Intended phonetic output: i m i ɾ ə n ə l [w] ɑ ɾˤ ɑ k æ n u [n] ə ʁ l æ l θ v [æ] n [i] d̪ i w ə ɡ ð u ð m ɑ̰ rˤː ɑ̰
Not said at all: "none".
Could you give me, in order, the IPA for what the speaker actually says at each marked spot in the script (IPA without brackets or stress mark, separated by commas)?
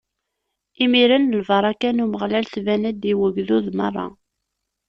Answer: v, m, æ, æ